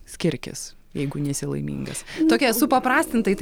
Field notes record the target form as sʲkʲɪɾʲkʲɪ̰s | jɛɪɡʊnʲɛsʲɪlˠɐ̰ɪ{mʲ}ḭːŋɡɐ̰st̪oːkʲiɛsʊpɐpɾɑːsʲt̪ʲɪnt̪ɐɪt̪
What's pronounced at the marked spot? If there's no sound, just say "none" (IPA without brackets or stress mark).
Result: mʲ